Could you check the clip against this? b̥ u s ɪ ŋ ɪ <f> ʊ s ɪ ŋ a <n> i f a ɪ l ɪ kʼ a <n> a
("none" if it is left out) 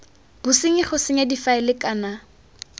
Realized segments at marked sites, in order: χ, d, n

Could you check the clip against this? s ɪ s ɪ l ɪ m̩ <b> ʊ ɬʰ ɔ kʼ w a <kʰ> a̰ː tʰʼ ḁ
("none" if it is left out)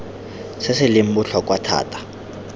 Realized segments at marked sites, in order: b, tʰ

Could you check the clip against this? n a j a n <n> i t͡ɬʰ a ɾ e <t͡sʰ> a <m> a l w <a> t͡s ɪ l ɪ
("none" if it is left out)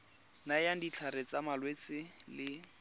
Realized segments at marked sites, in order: d, t͡s, m, e

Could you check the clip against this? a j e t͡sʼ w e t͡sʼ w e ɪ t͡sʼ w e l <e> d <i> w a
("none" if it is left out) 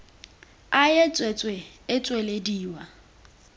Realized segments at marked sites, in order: e, iː

